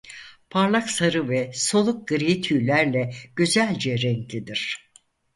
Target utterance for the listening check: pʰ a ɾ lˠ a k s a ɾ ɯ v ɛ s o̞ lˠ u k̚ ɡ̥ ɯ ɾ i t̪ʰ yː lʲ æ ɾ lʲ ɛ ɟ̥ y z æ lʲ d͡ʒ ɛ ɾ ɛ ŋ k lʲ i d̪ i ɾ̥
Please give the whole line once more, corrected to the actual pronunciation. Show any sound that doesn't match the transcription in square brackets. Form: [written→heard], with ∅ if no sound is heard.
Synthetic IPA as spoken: pʰ a ɾ lˠ a k s a ɾ ɯ v ɛ s o̞ lˠ u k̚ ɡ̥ ɯ ɾ i t̪ʰ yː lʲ æ ɾ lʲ ɛ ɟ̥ y z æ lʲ d͡ʒ ɛ ɾ ɛ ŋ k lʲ i d̪ i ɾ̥